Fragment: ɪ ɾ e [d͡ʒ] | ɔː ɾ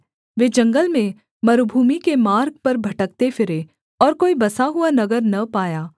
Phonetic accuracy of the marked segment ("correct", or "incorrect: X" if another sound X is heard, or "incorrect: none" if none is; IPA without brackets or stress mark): incorrect: none